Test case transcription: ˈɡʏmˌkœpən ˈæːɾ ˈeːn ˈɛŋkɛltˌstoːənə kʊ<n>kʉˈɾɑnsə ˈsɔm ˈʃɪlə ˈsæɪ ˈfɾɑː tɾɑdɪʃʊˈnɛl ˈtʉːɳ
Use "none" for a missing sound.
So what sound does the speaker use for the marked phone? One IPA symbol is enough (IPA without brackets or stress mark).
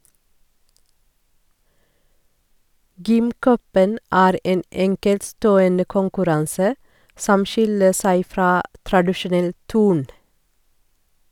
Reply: ŋ